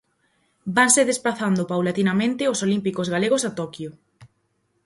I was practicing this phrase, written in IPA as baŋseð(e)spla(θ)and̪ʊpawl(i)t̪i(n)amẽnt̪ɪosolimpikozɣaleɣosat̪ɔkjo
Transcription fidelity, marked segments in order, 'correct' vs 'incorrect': correct, correct, incorrect: a, correct

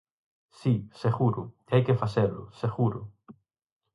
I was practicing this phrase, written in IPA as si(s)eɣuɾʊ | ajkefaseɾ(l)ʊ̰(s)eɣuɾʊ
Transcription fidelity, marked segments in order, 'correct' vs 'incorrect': correct, correct, correct

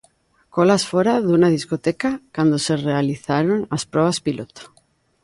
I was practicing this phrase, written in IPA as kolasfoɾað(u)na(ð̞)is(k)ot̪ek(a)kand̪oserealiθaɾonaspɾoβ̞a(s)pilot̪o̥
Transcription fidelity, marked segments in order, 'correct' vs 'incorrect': correct, correct, correct, correct, correct

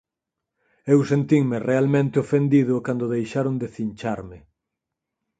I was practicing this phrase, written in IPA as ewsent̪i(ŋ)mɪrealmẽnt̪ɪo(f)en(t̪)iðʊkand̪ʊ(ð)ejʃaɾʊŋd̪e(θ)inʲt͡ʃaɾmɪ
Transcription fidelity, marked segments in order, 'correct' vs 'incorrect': correct, correct, incorrect: d̪, correct, correct

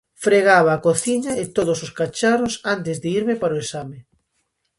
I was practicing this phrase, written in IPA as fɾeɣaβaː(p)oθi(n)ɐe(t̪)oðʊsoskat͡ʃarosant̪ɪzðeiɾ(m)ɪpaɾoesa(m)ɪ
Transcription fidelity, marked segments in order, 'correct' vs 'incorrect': incorrect: k, incorrect: ɲ, correct, correct, correct

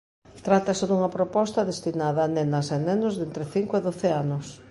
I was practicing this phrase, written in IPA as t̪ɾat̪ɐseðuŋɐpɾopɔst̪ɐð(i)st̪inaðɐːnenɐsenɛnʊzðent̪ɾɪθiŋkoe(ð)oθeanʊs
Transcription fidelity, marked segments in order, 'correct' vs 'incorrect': incorrect: e, correct

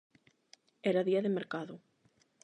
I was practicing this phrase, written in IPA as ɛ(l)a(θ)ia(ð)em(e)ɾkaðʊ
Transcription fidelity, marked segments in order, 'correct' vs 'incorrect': incorrect: ɾ, incorrect: ð, correct, correct

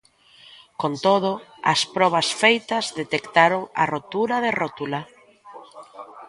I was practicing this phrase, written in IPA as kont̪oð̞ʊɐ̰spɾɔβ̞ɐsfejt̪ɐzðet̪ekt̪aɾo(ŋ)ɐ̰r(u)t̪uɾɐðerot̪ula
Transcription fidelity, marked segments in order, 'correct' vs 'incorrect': correct, incorrect: o

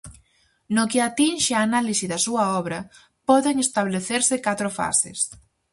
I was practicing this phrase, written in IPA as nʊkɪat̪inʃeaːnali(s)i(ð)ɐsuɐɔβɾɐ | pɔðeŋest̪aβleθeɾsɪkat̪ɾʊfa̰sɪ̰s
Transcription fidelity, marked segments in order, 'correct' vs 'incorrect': correct, correct

